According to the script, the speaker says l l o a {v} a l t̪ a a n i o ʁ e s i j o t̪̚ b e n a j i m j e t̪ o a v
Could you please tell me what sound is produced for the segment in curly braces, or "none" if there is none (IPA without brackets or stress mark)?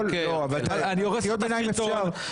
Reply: v